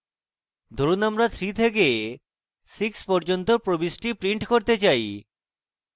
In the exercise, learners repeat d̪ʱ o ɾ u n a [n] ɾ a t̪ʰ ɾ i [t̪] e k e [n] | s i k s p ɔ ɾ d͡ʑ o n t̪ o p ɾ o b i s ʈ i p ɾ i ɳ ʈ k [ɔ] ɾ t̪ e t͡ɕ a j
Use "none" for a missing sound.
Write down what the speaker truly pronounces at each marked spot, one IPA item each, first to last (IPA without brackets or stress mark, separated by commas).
m, t̪ʰ, none, o